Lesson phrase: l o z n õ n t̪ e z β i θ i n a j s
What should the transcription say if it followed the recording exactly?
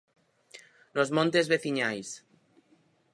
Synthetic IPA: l o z m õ n t̪ e z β e θ i ɲ a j s